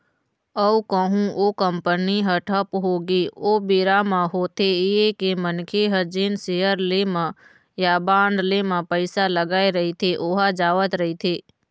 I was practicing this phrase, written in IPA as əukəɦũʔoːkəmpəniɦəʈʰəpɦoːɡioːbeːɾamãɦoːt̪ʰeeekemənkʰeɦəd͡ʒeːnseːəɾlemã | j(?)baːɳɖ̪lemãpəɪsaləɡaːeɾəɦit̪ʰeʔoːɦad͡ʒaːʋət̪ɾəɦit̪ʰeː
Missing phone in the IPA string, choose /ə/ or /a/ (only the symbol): a